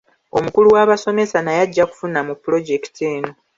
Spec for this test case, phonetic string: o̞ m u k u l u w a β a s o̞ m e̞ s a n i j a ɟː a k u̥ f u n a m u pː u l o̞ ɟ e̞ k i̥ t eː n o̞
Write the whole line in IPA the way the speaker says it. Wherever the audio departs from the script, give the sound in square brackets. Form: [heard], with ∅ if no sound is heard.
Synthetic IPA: o̞ m u k u l u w a β a s o̞ m e̞ s a n [a] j a ɟː a k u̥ f u n a m u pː u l o̞ ɟ e̞ k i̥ t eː n o̞